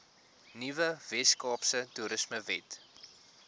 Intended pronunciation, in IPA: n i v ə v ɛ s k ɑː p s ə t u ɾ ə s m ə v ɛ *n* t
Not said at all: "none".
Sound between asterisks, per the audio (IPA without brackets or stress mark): none